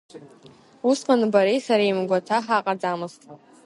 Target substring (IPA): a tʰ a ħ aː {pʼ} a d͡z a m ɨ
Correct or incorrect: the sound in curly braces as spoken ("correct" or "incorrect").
incorrect